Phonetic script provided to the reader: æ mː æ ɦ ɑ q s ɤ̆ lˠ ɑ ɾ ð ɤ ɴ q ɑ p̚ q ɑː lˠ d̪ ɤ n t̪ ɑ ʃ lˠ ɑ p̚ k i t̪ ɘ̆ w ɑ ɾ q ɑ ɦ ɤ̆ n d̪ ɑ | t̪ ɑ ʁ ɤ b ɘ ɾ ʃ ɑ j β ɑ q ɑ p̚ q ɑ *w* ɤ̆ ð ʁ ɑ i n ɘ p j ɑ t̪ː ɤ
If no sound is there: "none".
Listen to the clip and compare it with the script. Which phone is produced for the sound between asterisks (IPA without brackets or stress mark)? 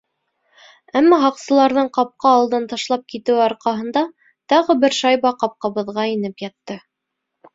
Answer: β